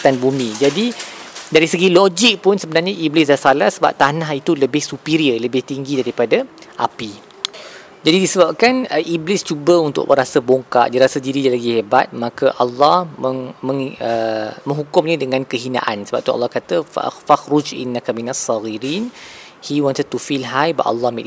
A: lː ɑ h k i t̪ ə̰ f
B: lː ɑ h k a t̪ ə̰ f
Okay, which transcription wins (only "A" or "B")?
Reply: B